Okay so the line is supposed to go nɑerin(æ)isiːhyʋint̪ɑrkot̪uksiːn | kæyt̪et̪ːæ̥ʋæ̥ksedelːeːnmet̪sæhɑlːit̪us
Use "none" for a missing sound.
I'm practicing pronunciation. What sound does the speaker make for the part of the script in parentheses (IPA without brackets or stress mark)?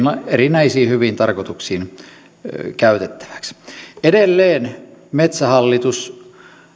æ